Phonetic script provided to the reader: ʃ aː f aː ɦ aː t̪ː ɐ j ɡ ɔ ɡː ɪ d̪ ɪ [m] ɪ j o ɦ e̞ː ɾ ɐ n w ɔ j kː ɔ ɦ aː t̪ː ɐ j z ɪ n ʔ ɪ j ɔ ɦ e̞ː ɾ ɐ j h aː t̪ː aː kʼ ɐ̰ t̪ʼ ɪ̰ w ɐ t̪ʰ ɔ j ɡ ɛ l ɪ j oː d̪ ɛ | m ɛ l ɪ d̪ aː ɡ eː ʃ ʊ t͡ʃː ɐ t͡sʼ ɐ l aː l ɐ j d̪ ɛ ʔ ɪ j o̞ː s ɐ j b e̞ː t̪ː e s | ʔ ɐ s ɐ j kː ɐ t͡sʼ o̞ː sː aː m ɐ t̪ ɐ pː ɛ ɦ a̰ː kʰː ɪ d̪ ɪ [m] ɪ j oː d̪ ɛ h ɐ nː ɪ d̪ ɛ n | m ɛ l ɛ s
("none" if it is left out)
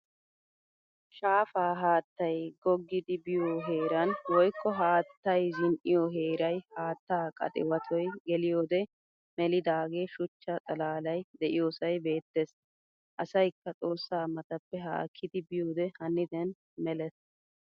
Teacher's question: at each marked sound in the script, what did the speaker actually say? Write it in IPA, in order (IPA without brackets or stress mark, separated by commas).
b, b